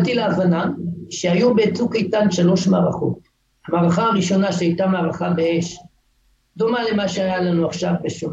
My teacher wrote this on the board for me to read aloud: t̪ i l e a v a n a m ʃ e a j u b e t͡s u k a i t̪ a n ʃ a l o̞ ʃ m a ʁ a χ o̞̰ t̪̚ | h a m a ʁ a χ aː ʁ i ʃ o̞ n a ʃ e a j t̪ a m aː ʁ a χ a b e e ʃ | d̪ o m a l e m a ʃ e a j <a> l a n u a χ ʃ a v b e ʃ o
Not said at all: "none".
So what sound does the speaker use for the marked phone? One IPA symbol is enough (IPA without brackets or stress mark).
a